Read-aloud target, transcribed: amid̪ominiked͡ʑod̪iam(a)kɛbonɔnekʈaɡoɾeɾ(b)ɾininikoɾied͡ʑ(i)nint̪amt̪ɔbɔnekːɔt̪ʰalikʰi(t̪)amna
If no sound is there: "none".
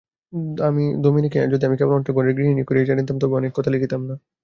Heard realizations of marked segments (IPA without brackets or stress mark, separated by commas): i, ɡ, a, t̪